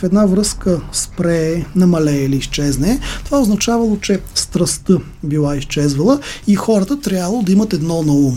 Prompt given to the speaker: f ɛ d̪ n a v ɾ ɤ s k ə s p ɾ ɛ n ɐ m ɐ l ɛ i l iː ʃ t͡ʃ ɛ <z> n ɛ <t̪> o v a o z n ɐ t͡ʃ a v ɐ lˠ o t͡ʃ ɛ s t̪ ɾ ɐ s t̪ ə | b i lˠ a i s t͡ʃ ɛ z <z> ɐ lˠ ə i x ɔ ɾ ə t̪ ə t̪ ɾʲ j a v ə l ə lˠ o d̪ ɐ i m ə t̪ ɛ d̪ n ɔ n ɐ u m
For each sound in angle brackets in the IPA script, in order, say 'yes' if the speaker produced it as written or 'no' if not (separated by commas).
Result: yes, yes, no